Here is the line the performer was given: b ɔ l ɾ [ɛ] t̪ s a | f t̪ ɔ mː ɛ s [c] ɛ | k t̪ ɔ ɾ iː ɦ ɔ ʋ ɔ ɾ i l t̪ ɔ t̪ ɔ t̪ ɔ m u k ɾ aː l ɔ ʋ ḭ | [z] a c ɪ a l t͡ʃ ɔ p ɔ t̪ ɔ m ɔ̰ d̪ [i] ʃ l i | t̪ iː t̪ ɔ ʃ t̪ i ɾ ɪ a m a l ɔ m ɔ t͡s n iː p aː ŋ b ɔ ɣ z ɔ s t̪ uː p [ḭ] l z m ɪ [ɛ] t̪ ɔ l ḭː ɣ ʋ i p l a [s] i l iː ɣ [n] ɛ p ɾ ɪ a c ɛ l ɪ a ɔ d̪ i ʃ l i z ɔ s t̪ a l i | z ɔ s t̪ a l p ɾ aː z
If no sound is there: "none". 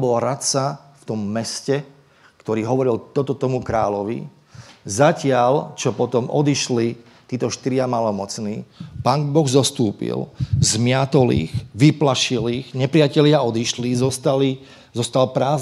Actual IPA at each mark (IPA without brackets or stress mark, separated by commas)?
a, c, z, i, ḭ, a, ʃ, ɲ